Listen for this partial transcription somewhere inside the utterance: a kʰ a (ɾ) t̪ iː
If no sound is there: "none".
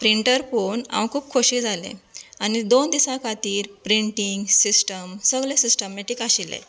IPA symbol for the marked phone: none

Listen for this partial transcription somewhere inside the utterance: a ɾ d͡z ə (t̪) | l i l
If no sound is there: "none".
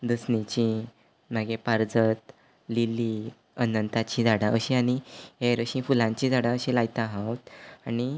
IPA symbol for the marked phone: t̪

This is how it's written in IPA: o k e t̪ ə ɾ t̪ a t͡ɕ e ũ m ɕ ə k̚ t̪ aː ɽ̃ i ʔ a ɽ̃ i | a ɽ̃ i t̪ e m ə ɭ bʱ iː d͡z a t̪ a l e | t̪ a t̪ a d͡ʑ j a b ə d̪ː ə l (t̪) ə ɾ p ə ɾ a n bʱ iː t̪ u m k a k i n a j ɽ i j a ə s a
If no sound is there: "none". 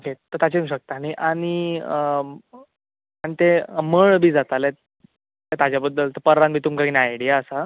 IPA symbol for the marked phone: t̪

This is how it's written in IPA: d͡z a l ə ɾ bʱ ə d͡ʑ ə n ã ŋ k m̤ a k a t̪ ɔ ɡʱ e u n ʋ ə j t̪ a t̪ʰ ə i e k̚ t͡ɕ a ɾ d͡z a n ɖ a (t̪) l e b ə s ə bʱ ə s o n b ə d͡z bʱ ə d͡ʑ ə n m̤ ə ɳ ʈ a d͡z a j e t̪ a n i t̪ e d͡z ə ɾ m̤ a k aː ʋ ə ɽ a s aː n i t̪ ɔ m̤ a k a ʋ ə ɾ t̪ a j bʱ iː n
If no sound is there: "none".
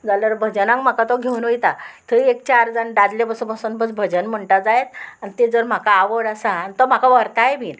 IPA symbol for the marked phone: d̪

